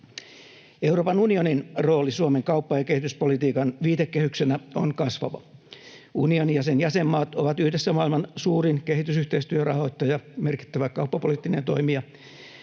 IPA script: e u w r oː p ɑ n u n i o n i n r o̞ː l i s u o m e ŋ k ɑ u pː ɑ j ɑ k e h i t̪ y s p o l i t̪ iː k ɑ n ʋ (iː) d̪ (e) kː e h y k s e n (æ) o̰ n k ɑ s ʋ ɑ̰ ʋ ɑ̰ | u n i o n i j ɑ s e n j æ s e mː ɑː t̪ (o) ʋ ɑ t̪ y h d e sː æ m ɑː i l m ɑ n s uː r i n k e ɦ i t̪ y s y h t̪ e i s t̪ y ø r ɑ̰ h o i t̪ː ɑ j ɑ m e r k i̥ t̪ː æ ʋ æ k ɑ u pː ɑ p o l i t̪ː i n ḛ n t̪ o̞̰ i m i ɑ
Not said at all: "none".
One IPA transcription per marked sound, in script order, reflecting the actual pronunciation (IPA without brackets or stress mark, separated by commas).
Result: iː, e, æ, o